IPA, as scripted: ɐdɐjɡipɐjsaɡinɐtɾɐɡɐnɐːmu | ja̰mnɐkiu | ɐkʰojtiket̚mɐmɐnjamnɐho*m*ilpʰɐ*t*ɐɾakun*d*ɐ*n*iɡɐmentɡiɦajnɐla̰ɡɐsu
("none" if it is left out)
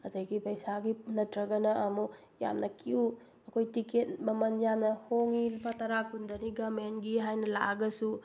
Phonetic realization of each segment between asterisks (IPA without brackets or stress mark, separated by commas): ŋ, t, d, n